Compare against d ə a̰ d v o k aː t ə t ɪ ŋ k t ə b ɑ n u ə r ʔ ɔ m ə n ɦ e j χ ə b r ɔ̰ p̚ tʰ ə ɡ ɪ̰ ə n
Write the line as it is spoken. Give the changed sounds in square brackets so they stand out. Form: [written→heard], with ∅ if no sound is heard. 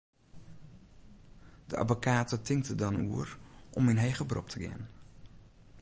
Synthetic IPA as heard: d ə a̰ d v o k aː t ə t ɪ ŋ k t ə [b→d] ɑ n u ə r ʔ ɔ m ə n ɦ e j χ ə b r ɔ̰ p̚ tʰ ə ɡ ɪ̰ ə n